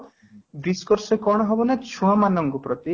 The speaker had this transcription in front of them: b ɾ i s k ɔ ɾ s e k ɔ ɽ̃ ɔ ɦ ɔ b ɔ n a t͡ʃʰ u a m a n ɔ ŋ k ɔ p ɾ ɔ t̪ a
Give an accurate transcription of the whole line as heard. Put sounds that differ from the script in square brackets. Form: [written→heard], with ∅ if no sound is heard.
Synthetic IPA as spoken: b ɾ i s k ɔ ɾ s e k ɔ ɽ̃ ɔ ɦ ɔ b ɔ n a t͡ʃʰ u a m a n ɔ ŋ k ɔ p ɾ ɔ t̪ [a→i]